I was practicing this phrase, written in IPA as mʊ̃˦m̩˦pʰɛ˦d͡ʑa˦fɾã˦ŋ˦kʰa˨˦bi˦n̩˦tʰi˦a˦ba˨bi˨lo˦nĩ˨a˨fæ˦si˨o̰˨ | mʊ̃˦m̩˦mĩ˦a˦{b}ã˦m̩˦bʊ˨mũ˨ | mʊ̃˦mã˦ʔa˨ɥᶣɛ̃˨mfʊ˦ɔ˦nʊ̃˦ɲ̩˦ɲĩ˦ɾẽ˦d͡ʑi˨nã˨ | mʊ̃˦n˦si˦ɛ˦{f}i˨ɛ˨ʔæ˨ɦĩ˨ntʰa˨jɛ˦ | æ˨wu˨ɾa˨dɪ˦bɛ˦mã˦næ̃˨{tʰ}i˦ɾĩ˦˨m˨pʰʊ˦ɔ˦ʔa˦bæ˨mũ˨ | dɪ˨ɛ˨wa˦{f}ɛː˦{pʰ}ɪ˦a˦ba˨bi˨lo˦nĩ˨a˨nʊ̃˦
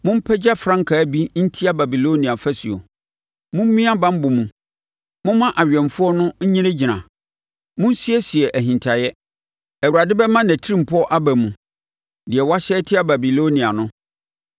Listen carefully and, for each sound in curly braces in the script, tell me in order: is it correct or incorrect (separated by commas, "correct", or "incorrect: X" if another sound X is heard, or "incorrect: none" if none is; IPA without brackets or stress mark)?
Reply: correct, incorrect: s, correct, incorrect: ɕ, incorrect: tʰ